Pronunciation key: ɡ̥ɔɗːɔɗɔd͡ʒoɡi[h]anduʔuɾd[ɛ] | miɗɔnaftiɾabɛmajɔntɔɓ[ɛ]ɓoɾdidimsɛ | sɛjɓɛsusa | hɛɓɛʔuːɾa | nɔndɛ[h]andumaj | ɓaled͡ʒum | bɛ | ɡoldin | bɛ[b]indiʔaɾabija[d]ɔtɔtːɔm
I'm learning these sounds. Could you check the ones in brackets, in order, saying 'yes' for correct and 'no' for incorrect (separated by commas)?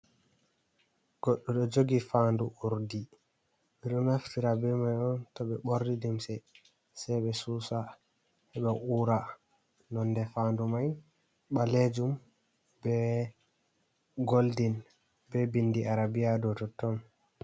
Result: no, no, yes, no, yes, yes